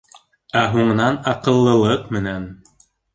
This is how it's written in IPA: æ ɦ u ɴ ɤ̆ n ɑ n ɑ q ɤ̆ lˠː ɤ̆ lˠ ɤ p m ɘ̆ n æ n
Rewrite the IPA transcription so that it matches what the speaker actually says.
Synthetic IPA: æ ɦ u ɴ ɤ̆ n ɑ n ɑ q ɤ̆ lˠː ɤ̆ lˠ ɤ q m ɘ̆ n æ n